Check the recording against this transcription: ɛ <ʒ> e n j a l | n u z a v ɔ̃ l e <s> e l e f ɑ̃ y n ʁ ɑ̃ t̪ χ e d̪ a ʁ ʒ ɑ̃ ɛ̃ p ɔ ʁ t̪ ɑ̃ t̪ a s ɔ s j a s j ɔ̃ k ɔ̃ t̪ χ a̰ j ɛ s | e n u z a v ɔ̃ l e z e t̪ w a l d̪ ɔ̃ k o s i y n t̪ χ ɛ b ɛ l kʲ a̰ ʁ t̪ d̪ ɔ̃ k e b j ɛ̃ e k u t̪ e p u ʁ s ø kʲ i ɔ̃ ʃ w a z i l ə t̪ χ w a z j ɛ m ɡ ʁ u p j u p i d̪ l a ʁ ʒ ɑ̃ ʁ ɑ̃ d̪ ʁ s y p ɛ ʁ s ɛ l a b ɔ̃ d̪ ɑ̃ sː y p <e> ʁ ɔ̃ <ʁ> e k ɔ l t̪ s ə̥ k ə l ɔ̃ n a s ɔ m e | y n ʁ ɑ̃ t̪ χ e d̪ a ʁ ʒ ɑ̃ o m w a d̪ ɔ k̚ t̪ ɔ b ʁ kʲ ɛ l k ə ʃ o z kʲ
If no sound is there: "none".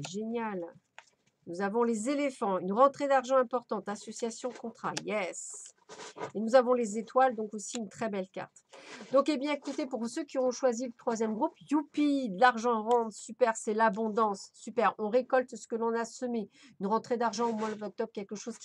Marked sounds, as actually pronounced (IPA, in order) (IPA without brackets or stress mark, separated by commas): ʒ, z, ɛ, ʁ